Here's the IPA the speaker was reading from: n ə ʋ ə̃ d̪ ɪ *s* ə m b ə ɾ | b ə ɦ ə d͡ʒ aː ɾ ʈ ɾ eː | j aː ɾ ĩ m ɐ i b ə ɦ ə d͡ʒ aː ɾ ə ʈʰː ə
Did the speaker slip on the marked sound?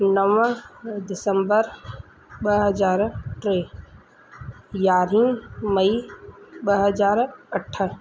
no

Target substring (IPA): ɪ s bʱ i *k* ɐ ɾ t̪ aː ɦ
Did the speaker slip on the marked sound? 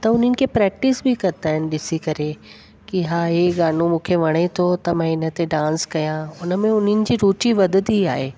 no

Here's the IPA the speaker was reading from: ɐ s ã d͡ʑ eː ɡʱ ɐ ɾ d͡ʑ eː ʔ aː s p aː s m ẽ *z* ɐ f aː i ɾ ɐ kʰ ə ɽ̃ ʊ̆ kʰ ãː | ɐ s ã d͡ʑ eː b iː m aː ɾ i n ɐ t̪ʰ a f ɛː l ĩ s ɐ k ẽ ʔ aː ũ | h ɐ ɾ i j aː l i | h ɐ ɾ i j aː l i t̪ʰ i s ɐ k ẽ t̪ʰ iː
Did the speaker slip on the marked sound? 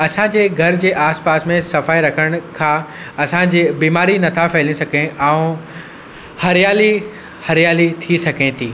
yes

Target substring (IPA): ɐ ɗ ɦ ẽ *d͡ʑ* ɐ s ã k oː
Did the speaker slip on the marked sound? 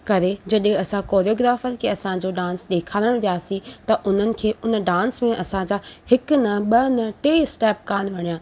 yes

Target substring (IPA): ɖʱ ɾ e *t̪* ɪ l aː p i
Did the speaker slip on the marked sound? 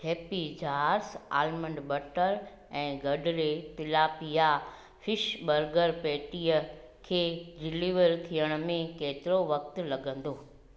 no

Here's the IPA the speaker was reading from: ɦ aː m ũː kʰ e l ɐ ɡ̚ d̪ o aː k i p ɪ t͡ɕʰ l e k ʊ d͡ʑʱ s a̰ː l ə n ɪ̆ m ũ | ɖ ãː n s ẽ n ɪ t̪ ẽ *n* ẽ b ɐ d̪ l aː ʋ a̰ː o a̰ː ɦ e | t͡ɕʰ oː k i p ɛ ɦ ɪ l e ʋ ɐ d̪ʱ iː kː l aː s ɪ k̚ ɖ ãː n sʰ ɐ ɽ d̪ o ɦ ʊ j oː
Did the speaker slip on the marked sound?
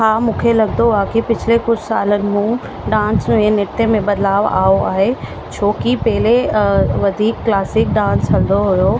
yes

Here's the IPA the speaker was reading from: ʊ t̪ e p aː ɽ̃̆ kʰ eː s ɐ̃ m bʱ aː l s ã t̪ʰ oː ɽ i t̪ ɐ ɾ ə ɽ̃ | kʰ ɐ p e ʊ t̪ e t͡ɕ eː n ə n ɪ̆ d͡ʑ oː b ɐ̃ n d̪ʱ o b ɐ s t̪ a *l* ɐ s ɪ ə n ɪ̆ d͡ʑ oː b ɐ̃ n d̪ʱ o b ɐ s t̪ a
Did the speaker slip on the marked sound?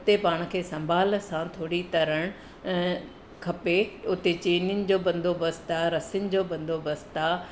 yes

